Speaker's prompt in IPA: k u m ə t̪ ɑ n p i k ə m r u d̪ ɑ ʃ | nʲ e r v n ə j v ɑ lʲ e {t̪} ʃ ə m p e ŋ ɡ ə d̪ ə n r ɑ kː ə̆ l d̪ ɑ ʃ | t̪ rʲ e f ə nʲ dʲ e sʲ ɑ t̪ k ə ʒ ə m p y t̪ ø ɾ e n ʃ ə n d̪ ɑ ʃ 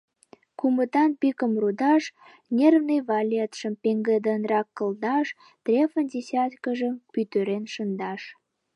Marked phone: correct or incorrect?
correct